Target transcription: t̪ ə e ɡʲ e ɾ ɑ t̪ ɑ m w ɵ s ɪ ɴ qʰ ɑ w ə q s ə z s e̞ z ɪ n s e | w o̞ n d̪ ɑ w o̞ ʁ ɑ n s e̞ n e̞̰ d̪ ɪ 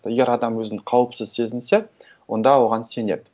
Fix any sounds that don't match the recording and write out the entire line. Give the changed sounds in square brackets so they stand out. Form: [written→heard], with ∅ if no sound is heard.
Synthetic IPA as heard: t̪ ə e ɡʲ e ɾ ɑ [t̪→d̪] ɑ m w ɵ [s→z] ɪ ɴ qʰ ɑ w ə [q→p] s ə z s e̞ z ɪ n s e | w o̞ n d̪ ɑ w o̞ ʁ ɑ n s e̞ n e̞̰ d̪ ɪ